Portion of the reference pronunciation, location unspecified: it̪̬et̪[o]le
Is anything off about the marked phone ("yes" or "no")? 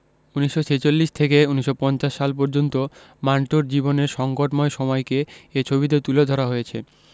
yes